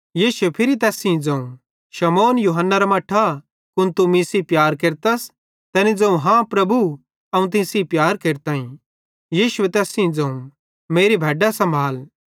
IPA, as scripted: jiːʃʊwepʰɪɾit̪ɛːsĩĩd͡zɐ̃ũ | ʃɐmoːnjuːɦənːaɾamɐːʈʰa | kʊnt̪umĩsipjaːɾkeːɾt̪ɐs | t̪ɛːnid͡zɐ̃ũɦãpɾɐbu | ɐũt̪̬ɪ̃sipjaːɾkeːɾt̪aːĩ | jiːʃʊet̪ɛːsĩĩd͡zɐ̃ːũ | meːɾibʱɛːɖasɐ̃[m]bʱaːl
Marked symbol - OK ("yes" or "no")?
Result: yes